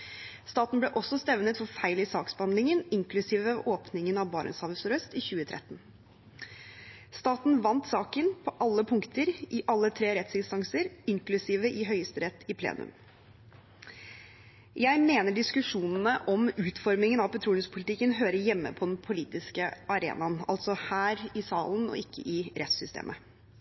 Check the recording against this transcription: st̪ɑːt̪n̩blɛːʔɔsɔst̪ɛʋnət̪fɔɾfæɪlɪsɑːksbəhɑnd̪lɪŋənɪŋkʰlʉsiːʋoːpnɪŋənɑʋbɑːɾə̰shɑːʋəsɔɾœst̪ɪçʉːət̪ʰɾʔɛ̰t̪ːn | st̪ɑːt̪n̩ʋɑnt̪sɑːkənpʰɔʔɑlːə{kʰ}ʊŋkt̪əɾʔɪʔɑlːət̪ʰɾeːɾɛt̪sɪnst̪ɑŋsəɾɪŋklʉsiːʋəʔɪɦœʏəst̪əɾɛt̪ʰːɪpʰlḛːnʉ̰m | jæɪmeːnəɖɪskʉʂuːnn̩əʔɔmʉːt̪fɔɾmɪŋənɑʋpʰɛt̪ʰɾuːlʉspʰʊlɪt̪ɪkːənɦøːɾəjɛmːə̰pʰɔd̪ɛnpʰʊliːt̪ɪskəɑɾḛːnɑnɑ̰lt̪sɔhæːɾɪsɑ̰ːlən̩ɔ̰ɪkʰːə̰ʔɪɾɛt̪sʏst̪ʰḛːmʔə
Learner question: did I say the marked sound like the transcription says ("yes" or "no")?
no